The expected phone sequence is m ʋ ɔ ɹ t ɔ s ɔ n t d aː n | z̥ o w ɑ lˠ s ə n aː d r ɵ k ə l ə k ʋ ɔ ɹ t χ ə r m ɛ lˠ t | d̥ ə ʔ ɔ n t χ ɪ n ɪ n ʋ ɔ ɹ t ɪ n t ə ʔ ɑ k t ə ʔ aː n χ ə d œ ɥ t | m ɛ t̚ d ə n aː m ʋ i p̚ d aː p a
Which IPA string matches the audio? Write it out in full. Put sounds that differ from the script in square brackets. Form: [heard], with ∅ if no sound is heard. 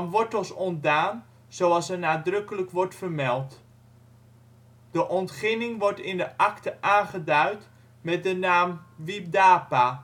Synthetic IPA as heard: m ʋ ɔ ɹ t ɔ s ɔ n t d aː n | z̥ o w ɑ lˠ s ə n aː d r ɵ k ə l ə k ʋ ɔ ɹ t [f] ə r m ɛ lˠ t | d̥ ə ʔ ɔ n t χ ɪ n ɪ [ŋ] ʋ ɔ ɹ t ɪ n [d] ə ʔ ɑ k t ə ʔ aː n χ ə d œ ɥ t | m ɛ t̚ d ə n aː m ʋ i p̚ d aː p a